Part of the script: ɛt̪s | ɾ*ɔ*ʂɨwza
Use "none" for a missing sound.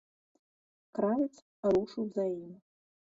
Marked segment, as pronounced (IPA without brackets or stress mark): u